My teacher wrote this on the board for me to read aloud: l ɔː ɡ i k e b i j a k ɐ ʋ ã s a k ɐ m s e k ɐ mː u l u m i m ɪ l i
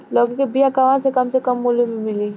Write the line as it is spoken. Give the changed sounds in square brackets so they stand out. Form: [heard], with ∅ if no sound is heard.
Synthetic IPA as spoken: l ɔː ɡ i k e b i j a k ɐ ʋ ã s [e] k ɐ m s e k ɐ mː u l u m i m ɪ l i

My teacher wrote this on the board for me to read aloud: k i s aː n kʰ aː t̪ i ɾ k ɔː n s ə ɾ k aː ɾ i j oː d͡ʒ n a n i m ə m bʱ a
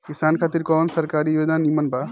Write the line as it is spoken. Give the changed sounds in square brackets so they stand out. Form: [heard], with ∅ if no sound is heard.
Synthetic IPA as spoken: k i s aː n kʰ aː t̪ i ɾ k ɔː n s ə ɾ k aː ɾ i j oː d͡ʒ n a n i m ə [n] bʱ a

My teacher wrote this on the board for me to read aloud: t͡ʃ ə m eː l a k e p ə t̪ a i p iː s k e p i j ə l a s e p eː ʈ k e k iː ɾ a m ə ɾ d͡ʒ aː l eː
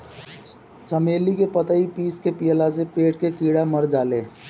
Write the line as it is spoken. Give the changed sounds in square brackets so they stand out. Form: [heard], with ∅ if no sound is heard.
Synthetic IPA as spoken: t͡ʃ ə m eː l [i] k e p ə t̪ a i p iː s k e p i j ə l a s e p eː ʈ k e k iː [ɽ] a m ə ɾ d͡ʒ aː l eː

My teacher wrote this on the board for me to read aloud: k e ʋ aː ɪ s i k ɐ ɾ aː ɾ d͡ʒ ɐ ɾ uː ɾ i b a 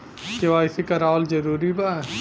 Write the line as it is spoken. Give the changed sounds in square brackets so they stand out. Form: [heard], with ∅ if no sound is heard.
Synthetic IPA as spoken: k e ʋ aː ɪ s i k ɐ ɾ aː [l] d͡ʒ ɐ ɾ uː ɾ i b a

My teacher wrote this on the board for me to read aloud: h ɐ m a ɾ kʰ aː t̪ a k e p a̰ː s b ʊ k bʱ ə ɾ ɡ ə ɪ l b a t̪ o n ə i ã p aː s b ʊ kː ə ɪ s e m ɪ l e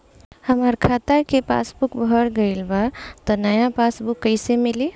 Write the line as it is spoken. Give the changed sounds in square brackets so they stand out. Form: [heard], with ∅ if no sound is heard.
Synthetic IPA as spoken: h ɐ m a ɾ kʰ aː t̪ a k e p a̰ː s b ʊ k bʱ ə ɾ ɡ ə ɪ l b a t̪ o n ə [j] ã p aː s b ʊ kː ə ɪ s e m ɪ l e

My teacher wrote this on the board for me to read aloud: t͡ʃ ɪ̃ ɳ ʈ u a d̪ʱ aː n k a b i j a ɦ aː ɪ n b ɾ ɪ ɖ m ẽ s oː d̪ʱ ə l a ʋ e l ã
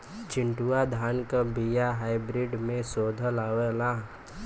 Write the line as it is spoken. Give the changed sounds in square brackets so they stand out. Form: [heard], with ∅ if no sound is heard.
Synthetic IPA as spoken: t͡ʃ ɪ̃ ɳ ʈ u a d̪ʱ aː n k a b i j a ɦ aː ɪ [∅] b ɾ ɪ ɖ m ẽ s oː d̪ʱ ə l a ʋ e l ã

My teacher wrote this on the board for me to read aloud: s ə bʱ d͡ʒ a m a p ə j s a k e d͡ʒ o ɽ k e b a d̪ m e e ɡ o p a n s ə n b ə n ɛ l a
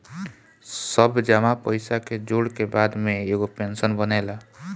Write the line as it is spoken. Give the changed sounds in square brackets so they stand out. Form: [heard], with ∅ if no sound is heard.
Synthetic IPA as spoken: s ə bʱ d͡ʒ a m a p ə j s a k e d͡ʒ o ɽ k e b a d̪ m e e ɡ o p [e] n s ə n b ə n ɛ l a

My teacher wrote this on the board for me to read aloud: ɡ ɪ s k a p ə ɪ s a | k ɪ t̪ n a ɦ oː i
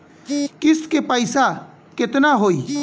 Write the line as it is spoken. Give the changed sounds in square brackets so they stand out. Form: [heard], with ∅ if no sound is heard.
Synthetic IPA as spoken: [k] ɪ s k [e] p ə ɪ s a | k ɪ t̪ n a ɦ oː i

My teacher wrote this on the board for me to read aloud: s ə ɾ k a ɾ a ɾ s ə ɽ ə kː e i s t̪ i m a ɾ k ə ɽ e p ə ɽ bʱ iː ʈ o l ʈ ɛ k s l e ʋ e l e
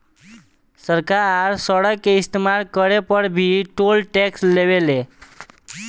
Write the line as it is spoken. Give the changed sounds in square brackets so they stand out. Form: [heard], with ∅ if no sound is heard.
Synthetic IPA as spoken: s ə ɾ k a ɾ a ɾ s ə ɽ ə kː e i s t̪ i m a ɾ k ə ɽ e p ə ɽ bʱ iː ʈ o l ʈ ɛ k s l e ʋ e l e

